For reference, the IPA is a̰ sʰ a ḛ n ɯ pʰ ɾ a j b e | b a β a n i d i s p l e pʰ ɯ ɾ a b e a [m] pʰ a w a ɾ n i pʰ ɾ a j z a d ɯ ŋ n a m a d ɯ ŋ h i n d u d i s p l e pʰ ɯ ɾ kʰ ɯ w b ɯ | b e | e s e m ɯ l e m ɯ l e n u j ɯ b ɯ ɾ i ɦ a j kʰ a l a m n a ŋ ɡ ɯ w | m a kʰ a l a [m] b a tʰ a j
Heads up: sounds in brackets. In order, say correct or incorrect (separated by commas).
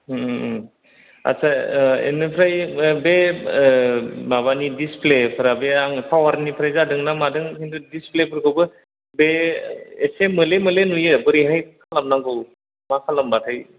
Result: incorrect, correct